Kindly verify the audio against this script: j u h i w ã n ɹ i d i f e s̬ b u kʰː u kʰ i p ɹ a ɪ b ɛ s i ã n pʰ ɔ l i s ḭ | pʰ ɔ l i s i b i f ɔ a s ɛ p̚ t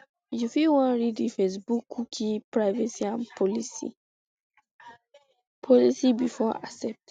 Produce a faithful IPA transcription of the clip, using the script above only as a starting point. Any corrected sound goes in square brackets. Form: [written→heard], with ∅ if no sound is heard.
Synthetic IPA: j u [h→f] i w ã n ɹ i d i f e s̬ b u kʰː u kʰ i p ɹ a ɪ [b→v] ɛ s i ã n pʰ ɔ l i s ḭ | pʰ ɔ l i s i b i f ɔ a s ɛ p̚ t